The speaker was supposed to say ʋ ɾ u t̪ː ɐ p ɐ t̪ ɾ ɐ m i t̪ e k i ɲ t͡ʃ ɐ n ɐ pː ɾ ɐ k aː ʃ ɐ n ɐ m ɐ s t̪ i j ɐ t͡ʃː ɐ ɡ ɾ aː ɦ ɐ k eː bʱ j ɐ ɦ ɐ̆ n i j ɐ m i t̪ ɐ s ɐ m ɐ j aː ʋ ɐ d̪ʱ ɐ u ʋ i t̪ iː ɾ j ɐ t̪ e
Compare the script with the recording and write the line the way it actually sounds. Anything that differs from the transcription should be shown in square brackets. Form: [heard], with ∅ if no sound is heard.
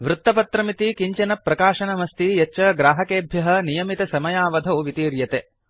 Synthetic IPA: ʋ ɾ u t̪ː ɐ p ɐ t̪ ɾ ɐ m i t̪ [i] k i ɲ t͡ʃ ɐ n ɐ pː ɾ ɐ k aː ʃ ɐ n ɐ m ɐ s t̪ i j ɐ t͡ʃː ɐ ɡ ɾ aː ɦ ɐ k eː bʱ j ɐ ɦ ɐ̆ n i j ɐ m i t̪ ɐ s ɐ m ɐ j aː ʋ ɐ d̪ʱ ɐ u ʋ i t̪ iː ɾ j ɐ t̪ e